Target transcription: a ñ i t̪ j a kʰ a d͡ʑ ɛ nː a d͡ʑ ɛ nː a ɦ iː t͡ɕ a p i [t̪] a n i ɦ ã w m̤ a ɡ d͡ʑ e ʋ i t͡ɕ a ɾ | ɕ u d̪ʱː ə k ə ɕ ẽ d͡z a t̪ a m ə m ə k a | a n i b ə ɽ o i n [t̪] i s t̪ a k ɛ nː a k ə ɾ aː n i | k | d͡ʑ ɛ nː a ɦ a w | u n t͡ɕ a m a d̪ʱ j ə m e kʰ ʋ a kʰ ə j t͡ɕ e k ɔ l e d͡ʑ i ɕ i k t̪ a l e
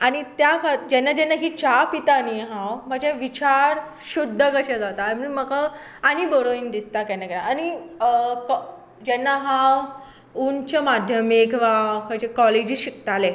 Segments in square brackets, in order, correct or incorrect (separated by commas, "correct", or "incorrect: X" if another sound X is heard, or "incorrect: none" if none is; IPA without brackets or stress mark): correct, incorrect: d̪